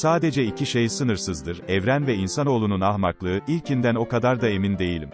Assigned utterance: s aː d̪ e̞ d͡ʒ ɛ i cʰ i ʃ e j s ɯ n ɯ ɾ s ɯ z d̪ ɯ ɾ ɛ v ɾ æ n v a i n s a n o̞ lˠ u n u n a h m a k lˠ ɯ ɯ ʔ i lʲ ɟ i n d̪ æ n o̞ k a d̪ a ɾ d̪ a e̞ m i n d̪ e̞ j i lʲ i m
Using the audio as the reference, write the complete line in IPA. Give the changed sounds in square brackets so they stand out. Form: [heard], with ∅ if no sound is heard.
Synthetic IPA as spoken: s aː d̪ e̞ d͡ʒ ɛ i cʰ i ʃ e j s ɯ n ɯ ɾ s ɯ z d̪ ɯ ɾ ɛ v ɾ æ n v [ɛ] i n s a n o̞ lˠ u n u n a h m a k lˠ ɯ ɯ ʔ i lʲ [c] i n d̪ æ n o̞ k a d̪ a ɾ d̪ a e̞ m i n d̪ e̞ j i lʲ i m